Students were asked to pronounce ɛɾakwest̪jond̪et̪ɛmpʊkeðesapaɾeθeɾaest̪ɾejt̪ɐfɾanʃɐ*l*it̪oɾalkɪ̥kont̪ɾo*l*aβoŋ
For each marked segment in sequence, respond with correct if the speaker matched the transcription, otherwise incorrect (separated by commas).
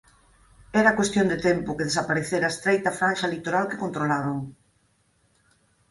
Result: correct, correct